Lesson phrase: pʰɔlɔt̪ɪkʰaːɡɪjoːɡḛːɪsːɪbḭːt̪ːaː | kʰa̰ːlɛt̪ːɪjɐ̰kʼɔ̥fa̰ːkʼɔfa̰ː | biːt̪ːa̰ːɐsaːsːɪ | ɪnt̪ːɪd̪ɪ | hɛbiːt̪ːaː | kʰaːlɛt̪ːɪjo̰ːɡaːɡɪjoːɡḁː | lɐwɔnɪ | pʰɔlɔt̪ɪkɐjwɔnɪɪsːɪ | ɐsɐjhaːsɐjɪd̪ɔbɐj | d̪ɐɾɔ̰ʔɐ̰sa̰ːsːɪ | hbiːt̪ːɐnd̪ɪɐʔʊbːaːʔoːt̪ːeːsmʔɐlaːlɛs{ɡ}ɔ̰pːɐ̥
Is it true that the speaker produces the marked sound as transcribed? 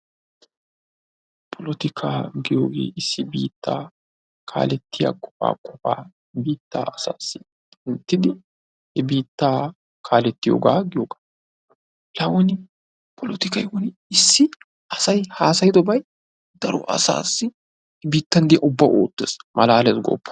yes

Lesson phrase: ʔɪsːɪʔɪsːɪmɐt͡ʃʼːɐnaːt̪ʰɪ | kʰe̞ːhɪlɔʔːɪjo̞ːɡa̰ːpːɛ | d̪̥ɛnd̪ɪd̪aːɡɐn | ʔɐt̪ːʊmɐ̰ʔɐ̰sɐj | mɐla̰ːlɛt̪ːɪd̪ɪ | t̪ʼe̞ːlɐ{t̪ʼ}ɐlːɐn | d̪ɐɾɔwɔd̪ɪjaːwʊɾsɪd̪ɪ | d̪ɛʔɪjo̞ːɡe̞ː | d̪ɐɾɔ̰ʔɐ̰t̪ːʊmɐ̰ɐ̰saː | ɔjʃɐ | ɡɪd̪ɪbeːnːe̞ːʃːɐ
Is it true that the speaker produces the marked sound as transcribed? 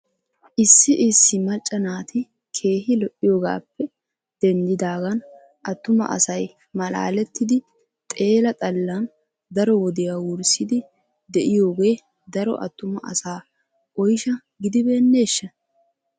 yes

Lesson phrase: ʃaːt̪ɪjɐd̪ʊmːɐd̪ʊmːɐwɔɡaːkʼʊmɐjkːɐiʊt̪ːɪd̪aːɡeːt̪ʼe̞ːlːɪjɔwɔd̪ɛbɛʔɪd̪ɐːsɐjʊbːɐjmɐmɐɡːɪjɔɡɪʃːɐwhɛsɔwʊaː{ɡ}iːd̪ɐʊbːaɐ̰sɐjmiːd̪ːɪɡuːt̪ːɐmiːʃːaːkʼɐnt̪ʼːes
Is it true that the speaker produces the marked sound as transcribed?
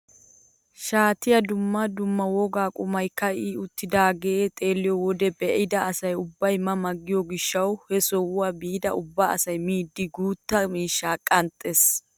no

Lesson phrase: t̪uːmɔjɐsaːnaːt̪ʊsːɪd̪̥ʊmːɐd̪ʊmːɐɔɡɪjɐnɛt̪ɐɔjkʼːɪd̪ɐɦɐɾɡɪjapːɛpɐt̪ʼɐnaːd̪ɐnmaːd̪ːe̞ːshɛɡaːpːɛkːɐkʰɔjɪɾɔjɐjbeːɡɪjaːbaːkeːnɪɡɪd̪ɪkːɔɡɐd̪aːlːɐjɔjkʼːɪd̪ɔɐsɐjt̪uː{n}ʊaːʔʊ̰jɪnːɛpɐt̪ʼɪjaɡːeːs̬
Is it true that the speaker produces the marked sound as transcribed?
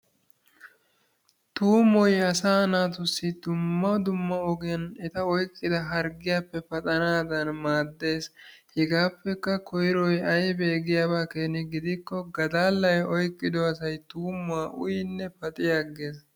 no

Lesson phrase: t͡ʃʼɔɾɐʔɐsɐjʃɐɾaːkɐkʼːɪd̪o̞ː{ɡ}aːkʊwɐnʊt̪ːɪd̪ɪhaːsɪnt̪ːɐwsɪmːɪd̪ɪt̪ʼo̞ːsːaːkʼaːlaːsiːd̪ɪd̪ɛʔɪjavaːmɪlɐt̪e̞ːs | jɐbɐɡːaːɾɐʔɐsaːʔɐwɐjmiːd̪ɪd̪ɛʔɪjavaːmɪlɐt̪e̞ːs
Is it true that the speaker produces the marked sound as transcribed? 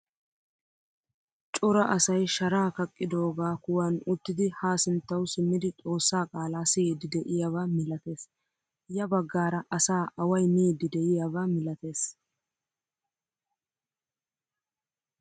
yes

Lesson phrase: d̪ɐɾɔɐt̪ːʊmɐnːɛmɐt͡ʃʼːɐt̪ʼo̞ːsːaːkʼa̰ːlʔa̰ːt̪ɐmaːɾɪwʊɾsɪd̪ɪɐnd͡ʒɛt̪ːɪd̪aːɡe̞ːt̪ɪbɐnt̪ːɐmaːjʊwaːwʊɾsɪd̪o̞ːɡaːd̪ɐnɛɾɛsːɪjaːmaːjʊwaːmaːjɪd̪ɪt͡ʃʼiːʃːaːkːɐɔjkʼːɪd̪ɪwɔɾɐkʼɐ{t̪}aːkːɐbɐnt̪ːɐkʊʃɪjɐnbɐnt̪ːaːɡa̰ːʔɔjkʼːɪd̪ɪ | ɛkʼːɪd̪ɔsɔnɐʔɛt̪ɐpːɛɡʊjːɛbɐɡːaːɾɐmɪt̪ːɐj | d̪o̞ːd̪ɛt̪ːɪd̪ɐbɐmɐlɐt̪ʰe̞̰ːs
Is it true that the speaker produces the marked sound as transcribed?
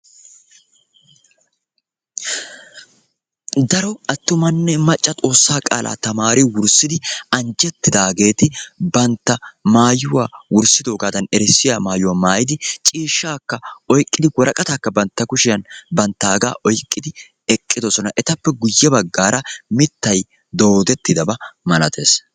yes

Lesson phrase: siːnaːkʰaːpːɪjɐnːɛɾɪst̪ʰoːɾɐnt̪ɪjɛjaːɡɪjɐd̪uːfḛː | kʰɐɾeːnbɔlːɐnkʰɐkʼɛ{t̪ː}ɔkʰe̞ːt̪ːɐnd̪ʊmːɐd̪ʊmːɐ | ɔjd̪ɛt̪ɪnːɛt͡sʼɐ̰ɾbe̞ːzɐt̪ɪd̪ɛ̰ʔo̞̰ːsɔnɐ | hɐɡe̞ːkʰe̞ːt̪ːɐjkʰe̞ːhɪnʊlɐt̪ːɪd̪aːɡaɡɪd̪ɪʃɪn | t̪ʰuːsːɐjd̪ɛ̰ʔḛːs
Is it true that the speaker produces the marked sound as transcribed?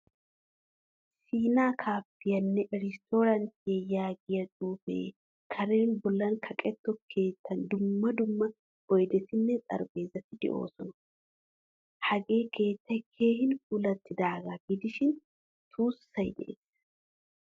yes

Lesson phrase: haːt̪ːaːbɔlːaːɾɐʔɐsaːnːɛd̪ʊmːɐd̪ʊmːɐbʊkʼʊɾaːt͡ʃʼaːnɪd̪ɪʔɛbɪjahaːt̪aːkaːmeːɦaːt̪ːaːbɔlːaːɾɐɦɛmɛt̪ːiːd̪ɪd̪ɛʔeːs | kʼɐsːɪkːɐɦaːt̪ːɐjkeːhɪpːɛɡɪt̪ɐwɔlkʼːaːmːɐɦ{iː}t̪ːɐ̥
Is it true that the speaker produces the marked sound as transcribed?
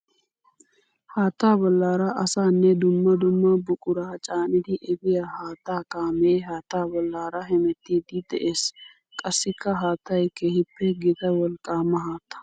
no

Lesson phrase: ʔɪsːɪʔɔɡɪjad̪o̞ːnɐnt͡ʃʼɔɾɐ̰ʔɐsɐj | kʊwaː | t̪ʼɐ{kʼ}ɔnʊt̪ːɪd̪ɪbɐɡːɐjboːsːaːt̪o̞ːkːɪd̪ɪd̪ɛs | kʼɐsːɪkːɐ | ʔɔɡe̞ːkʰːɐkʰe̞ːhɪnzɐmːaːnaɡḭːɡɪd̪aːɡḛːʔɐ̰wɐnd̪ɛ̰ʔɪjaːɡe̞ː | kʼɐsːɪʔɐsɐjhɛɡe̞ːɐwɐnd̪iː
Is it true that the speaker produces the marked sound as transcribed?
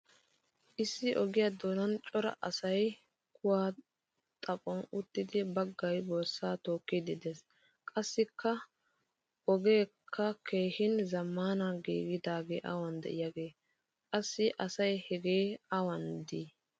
no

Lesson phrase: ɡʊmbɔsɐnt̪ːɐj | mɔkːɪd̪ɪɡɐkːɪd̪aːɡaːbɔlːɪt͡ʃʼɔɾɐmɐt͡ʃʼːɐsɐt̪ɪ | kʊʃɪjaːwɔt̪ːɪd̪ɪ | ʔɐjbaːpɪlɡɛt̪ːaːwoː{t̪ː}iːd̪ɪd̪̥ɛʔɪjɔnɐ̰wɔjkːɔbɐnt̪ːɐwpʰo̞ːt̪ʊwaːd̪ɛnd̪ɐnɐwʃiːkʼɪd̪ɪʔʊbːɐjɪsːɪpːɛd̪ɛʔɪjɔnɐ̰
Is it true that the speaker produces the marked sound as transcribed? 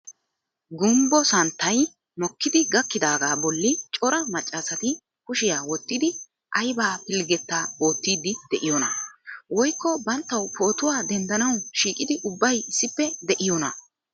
yes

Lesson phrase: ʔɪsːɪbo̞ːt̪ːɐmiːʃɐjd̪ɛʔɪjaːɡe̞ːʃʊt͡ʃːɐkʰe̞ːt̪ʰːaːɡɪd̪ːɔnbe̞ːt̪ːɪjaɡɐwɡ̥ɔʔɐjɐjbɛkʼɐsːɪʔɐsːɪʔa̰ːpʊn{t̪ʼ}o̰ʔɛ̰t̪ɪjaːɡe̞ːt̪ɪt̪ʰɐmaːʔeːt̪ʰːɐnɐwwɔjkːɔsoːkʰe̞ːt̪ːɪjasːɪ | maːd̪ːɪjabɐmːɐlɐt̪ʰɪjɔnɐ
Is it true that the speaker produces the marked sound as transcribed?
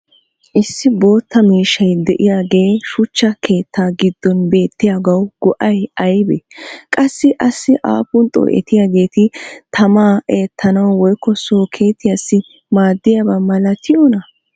yes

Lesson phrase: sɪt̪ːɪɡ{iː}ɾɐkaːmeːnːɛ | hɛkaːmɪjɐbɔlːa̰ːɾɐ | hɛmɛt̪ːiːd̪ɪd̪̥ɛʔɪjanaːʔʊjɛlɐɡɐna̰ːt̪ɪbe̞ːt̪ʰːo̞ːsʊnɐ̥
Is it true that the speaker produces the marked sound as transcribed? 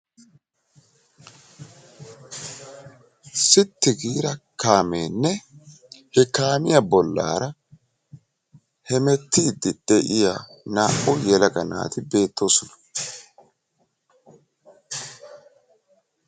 yes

